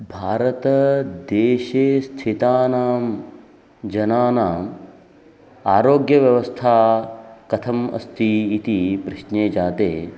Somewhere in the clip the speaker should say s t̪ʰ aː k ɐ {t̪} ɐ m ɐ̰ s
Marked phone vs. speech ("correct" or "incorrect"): incorrect